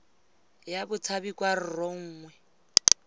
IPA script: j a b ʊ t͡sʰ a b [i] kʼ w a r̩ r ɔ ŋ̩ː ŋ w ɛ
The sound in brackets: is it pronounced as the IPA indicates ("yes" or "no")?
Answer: yes